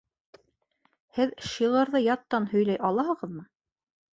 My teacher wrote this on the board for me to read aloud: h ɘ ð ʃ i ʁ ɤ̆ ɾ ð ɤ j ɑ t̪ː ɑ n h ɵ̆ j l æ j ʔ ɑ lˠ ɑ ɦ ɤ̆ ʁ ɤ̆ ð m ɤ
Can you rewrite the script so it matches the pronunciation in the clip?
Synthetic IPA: h ɘ ð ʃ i ʁ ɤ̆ ɾ ð ɤ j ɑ t̪ː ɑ n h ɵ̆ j l æ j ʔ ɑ lˠ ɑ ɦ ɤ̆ ʁ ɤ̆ ð m ɤ